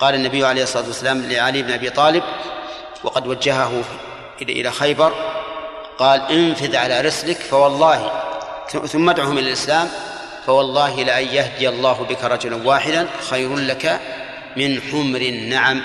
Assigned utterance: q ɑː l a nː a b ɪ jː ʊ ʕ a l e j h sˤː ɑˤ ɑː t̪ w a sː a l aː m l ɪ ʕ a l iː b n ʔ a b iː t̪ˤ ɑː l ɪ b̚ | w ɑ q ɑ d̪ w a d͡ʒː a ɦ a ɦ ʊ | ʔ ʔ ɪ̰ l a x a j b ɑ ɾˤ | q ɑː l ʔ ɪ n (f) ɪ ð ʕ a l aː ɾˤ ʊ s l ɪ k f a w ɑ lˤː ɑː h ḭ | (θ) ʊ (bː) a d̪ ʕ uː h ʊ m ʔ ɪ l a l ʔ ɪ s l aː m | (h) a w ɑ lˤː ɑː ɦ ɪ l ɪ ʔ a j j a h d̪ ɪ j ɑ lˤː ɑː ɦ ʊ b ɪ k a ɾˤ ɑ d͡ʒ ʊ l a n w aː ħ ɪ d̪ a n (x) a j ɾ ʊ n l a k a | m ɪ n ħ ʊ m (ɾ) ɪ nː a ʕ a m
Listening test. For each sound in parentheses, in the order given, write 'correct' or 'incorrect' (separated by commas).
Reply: correct, correct, incorrect, incorrect, correct, correct